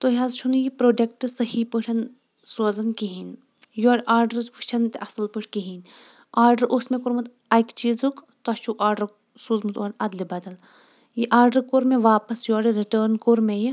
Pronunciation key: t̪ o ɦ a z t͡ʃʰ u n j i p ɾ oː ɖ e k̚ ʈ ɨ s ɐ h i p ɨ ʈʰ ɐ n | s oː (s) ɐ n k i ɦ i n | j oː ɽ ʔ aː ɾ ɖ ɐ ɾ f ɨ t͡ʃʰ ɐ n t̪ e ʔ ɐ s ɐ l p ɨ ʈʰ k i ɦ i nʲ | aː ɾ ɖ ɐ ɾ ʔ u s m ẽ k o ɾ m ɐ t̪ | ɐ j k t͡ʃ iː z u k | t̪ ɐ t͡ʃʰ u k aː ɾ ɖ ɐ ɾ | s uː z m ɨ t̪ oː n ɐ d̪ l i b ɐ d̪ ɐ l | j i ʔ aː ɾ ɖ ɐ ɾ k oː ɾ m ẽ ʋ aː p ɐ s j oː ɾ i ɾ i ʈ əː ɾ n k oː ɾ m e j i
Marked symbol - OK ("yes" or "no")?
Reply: no